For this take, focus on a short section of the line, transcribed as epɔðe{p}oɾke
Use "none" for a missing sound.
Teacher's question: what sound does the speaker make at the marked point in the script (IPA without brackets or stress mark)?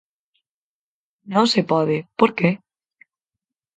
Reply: p